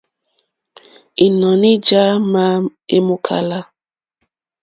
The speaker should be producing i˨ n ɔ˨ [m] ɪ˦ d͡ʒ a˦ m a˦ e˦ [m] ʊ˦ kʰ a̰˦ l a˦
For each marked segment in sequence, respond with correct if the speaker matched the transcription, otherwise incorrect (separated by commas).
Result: incorrect, correct